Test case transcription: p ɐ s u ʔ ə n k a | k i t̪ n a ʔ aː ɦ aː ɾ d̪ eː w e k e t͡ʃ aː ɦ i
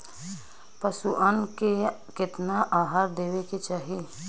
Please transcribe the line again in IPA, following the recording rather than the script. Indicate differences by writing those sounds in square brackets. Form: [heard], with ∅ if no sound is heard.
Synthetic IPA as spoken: p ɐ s u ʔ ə n k [e] | k [ɪ] t̪ n a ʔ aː ɦ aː ɾ d̪ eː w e k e t͡ʃ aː ɦ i